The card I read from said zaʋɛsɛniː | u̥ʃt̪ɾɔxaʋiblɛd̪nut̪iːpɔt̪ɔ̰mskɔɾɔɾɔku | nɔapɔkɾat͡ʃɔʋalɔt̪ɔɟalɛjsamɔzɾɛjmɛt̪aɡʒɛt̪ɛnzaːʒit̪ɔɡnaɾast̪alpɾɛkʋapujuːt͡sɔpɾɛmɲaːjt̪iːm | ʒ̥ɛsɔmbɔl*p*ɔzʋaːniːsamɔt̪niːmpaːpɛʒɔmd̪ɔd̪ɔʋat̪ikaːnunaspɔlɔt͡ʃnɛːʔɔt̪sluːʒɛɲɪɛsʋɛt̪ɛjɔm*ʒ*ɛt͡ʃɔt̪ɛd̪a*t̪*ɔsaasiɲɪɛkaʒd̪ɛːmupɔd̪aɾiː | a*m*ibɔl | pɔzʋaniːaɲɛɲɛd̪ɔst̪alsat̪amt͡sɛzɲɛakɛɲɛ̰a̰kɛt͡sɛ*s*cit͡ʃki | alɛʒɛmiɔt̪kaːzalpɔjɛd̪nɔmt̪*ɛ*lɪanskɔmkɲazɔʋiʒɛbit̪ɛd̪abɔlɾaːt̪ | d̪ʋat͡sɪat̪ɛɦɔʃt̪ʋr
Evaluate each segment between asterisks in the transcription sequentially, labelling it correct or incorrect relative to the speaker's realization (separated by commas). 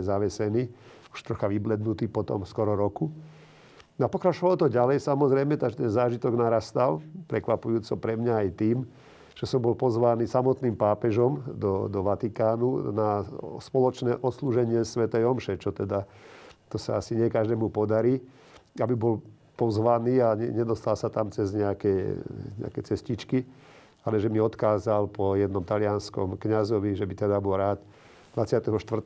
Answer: correct, incorrect, correct, incorrect, correct, incorrect